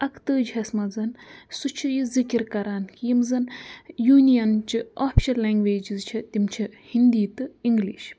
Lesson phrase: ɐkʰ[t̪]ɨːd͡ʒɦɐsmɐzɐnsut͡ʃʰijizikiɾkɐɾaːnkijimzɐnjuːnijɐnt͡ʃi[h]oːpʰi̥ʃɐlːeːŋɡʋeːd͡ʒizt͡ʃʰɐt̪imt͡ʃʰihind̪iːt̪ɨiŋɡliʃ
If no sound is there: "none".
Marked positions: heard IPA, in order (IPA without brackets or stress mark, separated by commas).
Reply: t̪, none